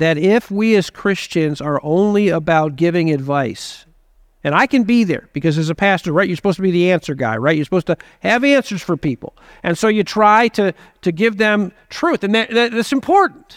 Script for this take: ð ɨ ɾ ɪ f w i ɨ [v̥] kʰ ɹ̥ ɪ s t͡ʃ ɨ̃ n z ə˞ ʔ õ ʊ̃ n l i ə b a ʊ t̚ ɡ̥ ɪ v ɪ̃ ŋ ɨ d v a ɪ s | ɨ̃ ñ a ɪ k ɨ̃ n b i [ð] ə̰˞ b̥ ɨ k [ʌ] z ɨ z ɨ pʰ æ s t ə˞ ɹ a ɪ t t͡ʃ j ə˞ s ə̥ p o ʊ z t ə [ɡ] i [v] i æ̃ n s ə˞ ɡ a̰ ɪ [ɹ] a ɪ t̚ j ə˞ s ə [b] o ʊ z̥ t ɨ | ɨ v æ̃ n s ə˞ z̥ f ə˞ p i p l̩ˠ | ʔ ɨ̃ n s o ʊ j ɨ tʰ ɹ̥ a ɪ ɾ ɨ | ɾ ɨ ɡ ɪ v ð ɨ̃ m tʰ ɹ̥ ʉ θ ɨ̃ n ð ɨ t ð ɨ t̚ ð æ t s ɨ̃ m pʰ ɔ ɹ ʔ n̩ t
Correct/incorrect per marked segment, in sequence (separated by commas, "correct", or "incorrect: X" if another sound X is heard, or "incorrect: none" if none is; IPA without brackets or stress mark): incorrect: z̥, correct, correct, incorrect: b, incorrect: ð, correct, incorrect: p